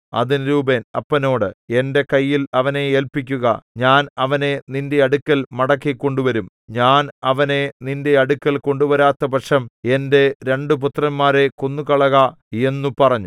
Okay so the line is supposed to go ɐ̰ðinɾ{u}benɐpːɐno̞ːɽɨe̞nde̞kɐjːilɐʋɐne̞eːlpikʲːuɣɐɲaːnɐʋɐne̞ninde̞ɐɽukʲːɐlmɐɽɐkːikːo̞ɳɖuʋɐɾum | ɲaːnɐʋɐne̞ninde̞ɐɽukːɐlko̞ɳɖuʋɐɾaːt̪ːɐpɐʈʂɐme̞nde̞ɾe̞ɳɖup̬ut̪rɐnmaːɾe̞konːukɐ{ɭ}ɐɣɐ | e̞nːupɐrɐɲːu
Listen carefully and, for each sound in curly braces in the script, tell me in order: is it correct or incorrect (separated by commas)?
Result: incorrect, correct